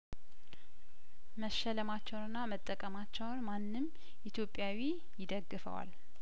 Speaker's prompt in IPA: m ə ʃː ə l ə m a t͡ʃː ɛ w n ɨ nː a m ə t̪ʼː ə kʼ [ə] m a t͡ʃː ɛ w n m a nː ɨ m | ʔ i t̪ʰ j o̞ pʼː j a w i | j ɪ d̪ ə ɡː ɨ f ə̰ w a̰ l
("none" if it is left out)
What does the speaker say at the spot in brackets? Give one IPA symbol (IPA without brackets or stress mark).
ə